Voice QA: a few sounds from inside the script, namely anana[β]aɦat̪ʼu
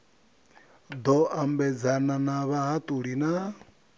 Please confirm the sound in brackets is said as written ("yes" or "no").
yes